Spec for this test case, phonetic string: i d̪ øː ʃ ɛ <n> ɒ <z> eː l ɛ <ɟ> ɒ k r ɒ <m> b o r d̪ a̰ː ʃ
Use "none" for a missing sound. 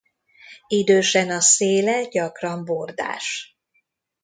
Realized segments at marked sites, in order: n, s, ɟ, m

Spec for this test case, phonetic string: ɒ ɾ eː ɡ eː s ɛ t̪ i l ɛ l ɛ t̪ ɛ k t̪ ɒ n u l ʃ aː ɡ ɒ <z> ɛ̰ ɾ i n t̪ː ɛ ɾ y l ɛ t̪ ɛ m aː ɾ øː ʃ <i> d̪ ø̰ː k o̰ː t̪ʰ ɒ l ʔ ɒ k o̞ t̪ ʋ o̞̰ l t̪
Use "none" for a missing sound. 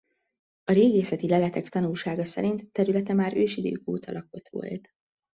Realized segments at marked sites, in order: s, i

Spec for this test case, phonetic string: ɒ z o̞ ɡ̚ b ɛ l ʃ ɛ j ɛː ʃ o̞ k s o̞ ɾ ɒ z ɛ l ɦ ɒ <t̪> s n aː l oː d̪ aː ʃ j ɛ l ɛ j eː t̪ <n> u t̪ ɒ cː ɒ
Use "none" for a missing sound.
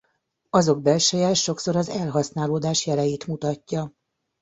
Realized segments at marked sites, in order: none, m

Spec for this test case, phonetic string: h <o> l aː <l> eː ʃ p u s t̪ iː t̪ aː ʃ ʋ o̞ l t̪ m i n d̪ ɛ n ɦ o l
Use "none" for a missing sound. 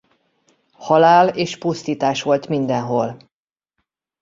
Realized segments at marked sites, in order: ɒ, l

